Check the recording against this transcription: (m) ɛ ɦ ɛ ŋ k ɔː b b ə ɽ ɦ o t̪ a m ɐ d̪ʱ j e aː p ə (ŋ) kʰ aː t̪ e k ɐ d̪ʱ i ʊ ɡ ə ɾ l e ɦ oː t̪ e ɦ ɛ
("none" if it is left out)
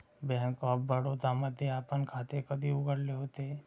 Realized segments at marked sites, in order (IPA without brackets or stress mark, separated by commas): b, n